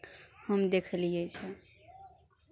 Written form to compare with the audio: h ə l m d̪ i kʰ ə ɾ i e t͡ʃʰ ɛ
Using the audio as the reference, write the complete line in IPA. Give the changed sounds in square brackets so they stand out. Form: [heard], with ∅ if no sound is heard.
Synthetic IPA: h ə [∅] m d̪ [e] kʰ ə [l] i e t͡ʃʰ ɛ